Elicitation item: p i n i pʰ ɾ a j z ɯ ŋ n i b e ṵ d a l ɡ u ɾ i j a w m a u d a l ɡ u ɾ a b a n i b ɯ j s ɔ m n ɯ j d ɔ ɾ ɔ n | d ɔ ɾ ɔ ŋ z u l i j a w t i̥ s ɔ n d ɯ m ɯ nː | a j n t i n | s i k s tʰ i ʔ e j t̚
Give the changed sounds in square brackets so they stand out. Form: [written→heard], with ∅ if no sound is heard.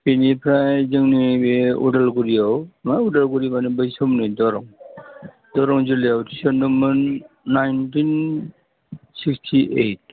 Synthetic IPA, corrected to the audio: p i n i pʰ ɾ a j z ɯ ŋ n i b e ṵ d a l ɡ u ɾ i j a w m a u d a l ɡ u ɾ [a→i] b a n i b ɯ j s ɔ m n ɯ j d ɔ ɾ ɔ [n→ŋ] | d ɔ ɾ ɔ ŋ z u l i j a w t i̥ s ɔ n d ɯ m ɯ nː | a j n t i n | s i k s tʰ i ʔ e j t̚